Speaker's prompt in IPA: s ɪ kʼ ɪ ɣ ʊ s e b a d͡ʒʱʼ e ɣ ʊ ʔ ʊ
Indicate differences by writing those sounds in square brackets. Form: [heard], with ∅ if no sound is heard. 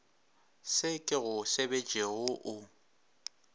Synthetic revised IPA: s ɪ kʼ ɪ ɣ ʊ s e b [e] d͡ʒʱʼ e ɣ ʊ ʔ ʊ